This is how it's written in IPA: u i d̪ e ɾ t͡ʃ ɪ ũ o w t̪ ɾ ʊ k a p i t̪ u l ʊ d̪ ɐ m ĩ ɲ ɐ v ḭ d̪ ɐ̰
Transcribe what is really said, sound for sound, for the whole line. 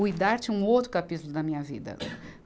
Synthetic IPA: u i d̪ a ɾ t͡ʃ ɪ ũ o w t̪ ɾ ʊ k a p i t̪ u l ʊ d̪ ɐ m ĩ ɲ ɐ v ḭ d̪ ɐ̰